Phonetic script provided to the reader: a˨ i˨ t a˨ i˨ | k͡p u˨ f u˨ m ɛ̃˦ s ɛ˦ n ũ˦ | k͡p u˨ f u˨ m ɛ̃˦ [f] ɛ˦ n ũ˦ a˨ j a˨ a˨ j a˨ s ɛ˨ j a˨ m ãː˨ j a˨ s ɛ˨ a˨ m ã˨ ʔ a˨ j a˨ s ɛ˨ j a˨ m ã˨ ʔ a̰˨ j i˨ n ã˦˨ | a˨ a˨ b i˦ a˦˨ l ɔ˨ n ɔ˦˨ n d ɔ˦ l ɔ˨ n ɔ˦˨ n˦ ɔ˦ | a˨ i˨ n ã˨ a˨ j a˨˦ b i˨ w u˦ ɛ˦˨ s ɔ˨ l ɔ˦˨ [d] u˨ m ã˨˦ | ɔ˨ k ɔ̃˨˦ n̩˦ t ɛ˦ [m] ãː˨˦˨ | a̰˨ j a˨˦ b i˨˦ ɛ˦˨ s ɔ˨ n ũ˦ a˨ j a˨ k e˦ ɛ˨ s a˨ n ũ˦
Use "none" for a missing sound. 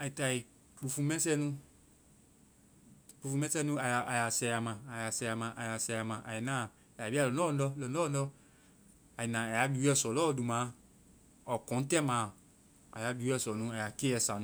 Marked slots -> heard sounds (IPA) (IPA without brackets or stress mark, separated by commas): s, d, m